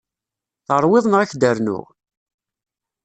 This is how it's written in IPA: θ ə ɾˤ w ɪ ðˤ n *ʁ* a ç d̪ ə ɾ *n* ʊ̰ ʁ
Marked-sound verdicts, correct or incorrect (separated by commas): correct, correct